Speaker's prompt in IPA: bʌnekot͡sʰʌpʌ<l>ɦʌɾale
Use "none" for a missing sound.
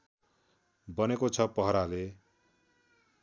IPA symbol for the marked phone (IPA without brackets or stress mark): none